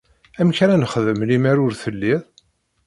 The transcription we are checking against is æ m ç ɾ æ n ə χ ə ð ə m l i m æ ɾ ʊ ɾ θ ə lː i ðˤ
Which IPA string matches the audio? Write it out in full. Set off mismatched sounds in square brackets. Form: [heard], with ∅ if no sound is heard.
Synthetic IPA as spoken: æ m ç ɾ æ n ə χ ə ð ə m l i m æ ɾ ʊ ɾ θ ə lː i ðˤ